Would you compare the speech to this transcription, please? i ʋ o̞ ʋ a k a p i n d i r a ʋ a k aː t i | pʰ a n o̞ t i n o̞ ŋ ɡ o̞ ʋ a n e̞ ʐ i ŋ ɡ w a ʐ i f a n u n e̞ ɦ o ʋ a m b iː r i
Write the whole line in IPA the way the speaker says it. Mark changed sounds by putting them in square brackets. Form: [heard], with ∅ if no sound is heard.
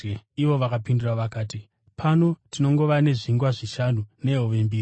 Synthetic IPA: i ʋ o̞ ʋ a k a p i n d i r a ʋ a k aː t i | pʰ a n o̞ t i n o̞ ŋ ɡ o̞ ʋ a n e̞ ʐ i ŋ ɡ w a ʐ i [ʃ] a n u n e̞ ɦ o ʋ [e] m b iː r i